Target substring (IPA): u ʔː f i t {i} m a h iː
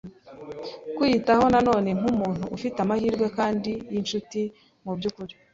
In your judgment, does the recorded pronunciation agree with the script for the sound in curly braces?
no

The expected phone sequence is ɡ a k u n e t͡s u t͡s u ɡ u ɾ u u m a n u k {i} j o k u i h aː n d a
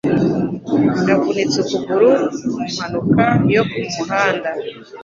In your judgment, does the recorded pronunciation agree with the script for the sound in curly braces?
no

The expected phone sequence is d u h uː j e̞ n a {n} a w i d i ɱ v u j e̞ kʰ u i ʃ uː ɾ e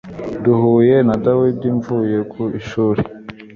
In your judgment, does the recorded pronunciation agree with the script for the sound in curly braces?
no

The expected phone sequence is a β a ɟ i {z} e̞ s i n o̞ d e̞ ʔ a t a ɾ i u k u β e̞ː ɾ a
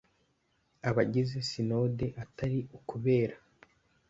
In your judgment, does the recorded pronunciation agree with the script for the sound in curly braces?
yes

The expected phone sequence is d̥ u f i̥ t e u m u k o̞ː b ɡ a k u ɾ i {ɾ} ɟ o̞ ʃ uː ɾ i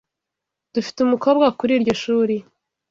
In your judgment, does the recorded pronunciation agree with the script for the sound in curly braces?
yes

